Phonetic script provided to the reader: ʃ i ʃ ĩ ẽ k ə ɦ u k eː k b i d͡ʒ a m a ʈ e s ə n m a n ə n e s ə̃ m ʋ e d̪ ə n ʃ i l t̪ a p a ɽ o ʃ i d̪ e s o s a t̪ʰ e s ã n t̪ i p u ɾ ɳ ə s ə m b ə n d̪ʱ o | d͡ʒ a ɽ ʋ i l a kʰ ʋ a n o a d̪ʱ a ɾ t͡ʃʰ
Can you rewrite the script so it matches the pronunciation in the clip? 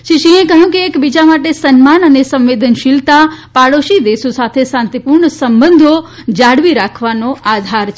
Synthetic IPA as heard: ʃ i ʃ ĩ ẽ k ə ɦ ũ k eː k b i d͡ʒ a m a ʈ e s ə n m a n ə n e s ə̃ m ʋ e d̪ ə n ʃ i l t̪ a p a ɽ o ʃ i d̪ e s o s a t̪ʰ e s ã n t̪ i p u ɾ ɳ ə s ə m b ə n d̪ʱ o | d͡ʒ a ɽ ʋ i ɾ a kʰ ʋ a n o a d̪ʱ a ɾ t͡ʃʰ